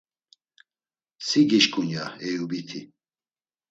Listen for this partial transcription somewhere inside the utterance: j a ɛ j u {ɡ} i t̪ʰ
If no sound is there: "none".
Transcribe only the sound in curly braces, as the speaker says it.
b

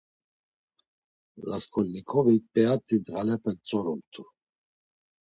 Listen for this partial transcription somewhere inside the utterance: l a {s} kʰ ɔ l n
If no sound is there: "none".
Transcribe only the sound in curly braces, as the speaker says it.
s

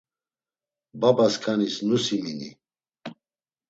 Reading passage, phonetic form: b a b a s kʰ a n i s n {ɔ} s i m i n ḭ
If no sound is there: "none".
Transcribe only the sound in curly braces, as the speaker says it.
u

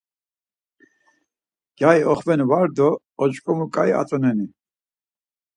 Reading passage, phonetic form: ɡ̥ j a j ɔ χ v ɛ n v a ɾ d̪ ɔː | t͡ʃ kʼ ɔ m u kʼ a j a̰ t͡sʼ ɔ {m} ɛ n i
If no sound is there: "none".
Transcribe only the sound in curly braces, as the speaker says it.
n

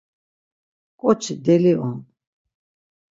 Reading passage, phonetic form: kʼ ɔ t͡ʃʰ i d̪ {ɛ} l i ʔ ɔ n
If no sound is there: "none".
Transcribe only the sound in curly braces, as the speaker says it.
ɛ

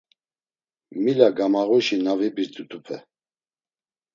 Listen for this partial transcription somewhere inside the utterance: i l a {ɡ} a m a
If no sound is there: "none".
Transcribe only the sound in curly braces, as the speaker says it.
ɡ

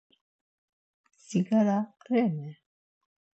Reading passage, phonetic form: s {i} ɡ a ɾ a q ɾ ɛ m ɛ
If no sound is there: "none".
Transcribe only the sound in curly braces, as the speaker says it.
i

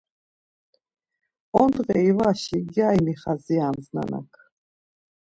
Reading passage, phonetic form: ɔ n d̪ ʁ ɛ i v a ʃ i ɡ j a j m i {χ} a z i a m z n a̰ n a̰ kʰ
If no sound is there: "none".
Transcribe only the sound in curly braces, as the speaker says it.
χ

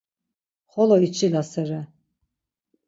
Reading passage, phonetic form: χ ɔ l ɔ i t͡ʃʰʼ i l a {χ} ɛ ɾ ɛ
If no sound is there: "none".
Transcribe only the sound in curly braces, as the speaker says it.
s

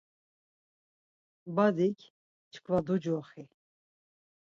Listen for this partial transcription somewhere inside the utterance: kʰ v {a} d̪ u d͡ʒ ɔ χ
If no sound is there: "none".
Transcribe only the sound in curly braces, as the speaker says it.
a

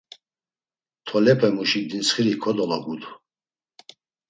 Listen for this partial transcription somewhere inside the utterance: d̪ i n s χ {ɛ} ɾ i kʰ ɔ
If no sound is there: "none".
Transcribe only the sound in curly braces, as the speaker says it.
i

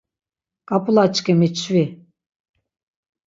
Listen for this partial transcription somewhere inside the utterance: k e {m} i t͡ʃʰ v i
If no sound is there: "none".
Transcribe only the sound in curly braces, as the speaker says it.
m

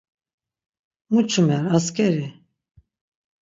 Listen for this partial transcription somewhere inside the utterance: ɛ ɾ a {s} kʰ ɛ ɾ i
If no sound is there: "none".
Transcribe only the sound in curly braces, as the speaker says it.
s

